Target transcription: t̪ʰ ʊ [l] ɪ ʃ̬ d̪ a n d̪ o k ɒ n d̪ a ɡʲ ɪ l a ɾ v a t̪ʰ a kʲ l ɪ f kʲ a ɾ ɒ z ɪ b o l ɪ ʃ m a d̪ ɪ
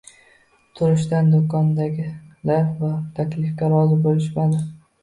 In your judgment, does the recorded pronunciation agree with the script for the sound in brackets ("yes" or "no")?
no